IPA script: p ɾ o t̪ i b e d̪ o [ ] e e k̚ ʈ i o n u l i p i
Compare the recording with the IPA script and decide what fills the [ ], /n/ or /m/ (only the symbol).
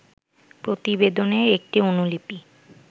n